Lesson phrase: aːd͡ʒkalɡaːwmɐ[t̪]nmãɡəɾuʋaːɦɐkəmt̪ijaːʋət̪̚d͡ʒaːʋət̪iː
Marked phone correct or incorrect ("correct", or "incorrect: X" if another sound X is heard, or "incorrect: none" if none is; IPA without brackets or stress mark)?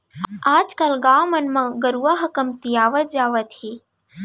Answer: incorrect: none